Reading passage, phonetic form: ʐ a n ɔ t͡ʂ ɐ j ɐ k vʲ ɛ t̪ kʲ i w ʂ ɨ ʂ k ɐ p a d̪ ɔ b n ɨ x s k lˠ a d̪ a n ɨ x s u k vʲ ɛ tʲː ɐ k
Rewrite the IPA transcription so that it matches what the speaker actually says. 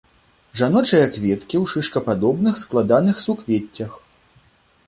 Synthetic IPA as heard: ʐ a n ɔ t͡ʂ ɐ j ɐ k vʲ ɛ t̪ kʲ i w ʂ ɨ ʂ k ɐ p a d̪ ɔ b n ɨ x s k lˠ a d̪ a n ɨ x s u k vʲ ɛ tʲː ɐ x